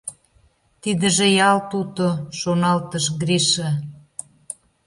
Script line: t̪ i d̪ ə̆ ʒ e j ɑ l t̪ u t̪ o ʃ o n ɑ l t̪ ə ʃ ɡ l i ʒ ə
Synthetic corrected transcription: t̪ i d̪ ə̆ ʒ e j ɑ l t̪ u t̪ o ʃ o n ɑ l t̪ ə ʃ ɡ ɾ i ʃ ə